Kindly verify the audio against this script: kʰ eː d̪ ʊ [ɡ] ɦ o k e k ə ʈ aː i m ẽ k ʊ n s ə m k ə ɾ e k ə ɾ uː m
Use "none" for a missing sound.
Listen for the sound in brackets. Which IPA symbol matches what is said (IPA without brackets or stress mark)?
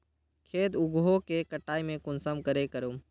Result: ɡ